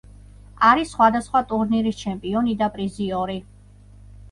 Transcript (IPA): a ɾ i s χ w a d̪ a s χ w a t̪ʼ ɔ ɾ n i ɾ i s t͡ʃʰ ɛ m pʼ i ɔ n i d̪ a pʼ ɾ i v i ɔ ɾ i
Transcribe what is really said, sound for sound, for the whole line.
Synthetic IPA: a ɾ i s χ w a d̪ a s χ w a t̪ʼ u ɾ n i ɾ i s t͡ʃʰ ɛ m pʼ i ɔ n i d̪ a pʼ ɾ i z i ɔ ɾ i